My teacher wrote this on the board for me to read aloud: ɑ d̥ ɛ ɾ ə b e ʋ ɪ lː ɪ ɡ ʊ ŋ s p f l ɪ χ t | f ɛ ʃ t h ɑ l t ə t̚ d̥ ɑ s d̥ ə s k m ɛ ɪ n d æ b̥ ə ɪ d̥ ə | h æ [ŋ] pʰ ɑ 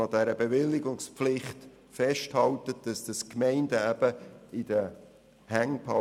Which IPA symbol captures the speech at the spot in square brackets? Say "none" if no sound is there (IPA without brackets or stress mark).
ŋ